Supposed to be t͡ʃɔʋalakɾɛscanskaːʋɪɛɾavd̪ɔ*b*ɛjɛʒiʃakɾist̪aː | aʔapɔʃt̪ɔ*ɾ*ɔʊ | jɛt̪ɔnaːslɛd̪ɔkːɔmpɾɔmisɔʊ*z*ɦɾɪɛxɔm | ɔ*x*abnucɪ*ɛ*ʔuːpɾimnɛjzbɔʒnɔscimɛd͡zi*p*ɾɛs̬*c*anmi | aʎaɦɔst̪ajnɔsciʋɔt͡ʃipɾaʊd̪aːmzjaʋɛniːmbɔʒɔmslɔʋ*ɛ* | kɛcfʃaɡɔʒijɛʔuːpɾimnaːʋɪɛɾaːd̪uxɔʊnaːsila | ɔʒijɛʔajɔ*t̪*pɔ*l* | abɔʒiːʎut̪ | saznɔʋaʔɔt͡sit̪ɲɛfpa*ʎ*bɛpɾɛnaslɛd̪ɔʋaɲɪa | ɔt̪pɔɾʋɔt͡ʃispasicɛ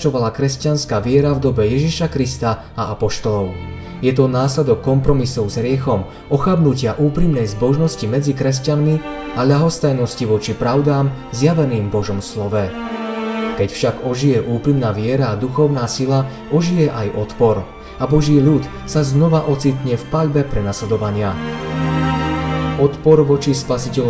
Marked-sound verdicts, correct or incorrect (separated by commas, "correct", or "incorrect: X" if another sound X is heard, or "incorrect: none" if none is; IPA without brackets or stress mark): correct, incorrect: l, correct, correct, incorrect: a, incorrect: k, correct, correct, correct, incorrect: ɾ, correct